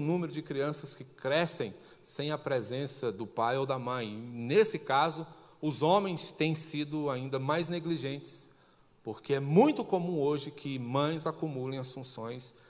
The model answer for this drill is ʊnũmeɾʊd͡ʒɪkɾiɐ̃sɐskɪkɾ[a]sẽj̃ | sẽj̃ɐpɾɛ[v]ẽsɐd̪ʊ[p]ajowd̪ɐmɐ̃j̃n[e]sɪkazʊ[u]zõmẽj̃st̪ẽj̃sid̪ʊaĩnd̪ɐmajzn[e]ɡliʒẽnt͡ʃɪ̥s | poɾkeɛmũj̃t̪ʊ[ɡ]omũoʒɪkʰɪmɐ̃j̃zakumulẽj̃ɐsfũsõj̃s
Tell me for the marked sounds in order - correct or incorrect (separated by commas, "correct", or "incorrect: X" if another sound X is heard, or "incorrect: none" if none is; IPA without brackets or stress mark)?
incorrect: ɛ, incorrect: z, correct, correct, incorrect: ʊ, correct, incorrect: k